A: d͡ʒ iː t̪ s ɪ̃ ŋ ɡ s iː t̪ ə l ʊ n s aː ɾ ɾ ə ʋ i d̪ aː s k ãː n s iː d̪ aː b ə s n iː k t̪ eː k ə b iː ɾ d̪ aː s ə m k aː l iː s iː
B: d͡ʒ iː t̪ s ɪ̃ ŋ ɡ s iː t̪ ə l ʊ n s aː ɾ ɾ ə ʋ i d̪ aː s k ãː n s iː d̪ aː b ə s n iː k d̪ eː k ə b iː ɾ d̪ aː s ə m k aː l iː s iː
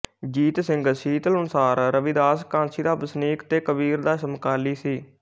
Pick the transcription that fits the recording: A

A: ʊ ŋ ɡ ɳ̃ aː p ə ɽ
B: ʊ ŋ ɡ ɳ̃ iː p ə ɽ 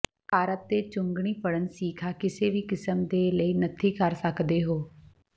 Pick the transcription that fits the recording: B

